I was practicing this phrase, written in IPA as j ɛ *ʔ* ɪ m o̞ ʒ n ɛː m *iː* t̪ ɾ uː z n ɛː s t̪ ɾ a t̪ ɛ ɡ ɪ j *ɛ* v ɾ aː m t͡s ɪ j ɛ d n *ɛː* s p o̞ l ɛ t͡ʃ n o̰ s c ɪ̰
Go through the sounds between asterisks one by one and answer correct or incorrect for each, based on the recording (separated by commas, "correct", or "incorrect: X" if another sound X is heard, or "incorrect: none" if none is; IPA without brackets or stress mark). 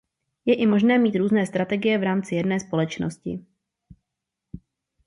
correct, correct, correct, correct